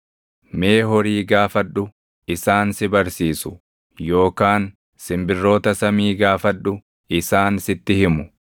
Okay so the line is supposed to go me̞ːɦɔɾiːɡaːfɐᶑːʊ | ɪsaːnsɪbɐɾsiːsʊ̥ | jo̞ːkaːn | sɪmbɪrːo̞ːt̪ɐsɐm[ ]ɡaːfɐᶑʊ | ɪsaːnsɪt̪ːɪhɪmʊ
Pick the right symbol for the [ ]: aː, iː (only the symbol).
iː